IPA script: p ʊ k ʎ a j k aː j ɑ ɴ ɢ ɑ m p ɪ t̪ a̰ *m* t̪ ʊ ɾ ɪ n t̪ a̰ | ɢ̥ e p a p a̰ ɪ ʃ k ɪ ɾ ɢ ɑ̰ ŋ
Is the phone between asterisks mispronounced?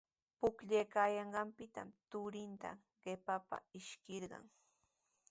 no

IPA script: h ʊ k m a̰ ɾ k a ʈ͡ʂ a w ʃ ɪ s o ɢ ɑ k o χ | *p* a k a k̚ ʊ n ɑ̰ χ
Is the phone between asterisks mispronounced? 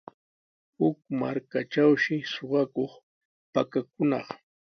no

